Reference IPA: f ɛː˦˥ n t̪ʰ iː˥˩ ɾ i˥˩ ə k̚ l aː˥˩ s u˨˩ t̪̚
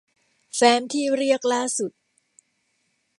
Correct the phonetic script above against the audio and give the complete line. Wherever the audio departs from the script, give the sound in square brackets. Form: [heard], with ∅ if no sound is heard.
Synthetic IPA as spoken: f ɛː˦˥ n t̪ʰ iː˥˩ ɾ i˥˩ ə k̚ l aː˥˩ s u˨˩ t̪̚

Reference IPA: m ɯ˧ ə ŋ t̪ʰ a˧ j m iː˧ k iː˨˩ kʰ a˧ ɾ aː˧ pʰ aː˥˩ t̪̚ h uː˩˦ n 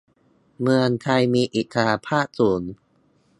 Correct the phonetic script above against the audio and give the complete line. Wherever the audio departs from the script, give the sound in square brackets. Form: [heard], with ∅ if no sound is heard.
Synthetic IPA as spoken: m ɯ˧ ə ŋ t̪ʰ a˧ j m iː˧ [ʔ] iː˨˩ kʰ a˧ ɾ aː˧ pʰ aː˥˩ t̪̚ [s] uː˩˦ n

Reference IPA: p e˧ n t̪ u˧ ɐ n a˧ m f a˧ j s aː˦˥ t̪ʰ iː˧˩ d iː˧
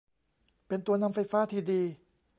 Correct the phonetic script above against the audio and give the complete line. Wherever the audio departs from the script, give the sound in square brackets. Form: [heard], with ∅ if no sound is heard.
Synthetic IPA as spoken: p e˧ n t̪ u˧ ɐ n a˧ m f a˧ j [f] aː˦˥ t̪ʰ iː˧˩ d iː˧

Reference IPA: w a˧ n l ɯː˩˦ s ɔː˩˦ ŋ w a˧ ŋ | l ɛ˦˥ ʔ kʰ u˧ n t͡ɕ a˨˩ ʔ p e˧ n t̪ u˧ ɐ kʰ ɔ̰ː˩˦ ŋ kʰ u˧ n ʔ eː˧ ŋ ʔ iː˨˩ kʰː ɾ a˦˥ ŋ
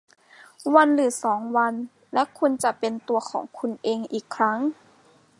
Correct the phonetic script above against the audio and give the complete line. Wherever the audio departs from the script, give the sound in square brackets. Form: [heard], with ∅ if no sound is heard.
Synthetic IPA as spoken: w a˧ n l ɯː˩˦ s ɔː˩˦ ŋ w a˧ [n] | l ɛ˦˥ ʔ kʰ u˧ n t͡ɕ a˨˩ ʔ p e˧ n t̪ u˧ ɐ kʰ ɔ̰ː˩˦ ŋ kʰ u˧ n ʔ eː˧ ŋ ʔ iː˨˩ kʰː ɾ a˦˥ ŋ

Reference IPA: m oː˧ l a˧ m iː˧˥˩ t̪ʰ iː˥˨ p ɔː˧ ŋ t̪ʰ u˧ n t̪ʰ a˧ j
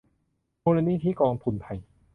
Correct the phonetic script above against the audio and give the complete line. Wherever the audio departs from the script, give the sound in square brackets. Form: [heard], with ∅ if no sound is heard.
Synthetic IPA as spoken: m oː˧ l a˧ [n] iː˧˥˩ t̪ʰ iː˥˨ [k] ɔː˧ ŋ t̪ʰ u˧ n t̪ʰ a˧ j

